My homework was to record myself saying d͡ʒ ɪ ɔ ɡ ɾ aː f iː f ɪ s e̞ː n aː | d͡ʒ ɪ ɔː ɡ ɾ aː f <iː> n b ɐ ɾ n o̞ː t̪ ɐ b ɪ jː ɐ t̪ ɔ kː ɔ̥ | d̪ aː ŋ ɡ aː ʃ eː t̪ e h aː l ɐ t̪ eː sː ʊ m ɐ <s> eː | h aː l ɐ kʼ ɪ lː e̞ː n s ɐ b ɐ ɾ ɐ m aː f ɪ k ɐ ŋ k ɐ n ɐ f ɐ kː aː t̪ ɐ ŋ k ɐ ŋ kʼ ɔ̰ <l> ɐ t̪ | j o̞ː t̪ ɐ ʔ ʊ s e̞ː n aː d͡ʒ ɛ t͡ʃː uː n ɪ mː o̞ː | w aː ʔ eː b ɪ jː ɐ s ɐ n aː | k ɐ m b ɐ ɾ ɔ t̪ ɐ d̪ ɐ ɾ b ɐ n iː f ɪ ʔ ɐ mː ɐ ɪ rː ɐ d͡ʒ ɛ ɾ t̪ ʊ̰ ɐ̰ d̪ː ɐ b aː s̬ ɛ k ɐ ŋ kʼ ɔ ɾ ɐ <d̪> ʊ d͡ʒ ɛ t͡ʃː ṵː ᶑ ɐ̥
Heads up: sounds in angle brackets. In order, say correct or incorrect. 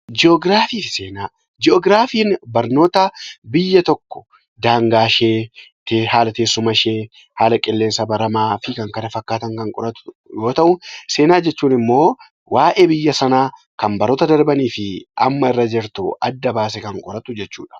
correct, incorrect: ʃ, incorrect: ɾ, incorrect: t̪

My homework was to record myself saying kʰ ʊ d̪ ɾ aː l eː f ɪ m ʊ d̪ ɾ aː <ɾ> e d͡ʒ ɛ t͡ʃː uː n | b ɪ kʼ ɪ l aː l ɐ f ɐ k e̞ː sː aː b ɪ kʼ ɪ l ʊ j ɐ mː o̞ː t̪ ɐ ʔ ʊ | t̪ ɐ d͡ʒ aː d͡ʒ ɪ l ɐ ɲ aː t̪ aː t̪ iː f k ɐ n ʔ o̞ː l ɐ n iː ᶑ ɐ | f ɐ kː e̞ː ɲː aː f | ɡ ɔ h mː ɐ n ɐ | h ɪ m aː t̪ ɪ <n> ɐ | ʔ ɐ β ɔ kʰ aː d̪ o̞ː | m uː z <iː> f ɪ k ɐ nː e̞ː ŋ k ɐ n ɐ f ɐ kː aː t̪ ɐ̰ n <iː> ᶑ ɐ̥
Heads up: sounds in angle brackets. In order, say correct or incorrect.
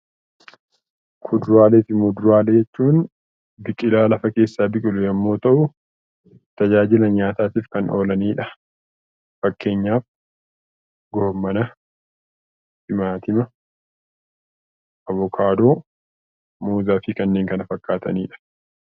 incorrect: l, incorrect: m, incorrect: aː, correct

